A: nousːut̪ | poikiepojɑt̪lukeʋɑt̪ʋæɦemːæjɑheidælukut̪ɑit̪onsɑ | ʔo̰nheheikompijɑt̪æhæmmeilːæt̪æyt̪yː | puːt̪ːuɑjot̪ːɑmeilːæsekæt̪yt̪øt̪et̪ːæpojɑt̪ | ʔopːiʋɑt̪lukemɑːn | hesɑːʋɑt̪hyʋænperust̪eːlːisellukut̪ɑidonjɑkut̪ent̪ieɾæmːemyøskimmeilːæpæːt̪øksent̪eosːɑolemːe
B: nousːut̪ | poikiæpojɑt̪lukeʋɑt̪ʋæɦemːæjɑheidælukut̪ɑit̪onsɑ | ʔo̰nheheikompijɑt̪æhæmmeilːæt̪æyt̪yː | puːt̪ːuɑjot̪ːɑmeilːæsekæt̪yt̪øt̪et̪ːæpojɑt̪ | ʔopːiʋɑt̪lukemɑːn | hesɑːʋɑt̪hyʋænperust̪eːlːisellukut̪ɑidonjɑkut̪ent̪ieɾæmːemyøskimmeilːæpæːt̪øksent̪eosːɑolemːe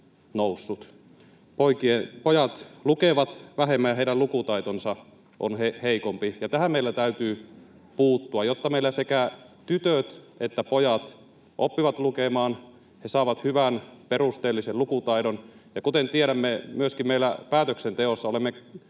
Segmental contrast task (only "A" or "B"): A